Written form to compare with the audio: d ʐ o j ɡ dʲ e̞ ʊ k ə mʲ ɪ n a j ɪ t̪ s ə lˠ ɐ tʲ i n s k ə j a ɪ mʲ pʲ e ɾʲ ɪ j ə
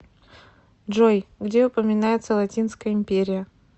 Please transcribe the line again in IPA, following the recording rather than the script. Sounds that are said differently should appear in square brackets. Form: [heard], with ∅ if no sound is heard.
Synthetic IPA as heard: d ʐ o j ɡ dʲ e̞ ʊ [p] ə mʲ ɪ n a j ɪ t̪ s ə lˠ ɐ tʲ i n s k ə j [ə] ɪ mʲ pʲ e ɾʲ ɪ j ə